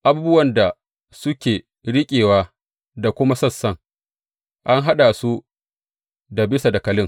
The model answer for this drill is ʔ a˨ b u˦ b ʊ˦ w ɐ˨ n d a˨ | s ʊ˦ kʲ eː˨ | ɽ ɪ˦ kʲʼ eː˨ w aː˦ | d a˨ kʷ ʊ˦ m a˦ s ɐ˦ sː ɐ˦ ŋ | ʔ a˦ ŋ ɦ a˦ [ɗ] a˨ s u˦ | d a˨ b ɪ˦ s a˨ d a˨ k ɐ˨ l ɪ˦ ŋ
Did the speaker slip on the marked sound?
no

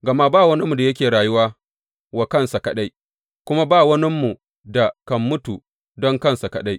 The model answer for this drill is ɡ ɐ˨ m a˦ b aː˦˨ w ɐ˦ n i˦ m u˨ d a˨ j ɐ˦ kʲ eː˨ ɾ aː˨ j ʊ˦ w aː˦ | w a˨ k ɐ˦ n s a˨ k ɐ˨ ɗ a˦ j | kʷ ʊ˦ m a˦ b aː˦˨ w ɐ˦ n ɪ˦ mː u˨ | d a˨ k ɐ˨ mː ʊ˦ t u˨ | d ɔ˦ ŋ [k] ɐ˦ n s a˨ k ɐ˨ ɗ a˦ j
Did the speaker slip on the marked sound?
no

